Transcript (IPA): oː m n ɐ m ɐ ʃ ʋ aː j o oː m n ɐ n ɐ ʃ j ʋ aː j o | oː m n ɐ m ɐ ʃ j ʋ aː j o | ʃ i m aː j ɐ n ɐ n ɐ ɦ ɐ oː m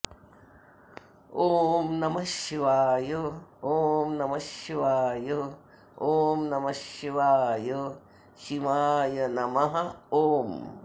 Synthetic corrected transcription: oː m n ɐ m ɐ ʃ ʋ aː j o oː m n ɐ m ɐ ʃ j ʋ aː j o | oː m n ɐ m ɐ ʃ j ʋ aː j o | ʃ i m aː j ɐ n ɐ m ɐ ɦ ɐ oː m